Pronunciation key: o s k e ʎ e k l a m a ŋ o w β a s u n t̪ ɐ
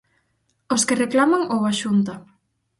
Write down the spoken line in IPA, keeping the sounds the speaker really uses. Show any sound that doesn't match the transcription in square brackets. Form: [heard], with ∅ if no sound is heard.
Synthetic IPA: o s k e [r] e k l a m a ŋ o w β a [ʃ] u n t̪ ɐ